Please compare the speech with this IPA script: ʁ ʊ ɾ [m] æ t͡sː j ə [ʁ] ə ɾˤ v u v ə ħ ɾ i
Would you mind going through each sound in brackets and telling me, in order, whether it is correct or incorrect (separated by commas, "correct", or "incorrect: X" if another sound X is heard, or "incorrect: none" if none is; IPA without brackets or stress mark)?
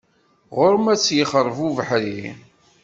correct, incorrect: χ